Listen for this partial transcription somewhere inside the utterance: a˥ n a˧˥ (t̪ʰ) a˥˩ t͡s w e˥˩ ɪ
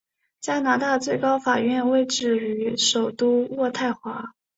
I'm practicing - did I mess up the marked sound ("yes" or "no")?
yes